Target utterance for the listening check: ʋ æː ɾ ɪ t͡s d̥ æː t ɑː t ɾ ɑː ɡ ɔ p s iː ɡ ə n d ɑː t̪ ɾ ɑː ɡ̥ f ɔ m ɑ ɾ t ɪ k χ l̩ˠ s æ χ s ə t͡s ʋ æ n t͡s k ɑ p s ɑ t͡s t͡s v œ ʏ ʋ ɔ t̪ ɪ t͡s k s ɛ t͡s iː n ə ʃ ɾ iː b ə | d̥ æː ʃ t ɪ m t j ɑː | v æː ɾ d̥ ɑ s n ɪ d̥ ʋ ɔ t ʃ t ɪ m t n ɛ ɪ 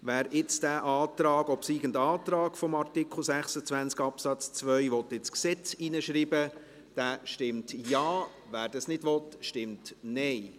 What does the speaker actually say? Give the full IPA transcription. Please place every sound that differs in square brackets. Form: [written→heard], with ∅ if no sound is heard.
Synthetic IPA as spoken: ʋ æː ɾ ɪ t͡s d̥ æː [t→ʔ] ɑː t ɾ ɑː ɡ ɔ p s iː ɡ ə n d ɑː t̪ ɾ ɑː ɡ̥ f ɔ m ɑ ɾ t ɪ k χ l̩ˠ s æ χ s ə t͡s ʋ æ n t͡s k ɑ p s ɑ t͡s t͡s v œ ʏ ʋ ɔ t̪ ɪ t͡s k s ɛ t͡s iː n ə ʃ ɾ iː b ə | d̥ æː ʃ t ɪ m t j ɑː | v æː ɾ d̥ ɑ s n ɪ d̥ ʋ ɔ t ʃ t ɪ m t n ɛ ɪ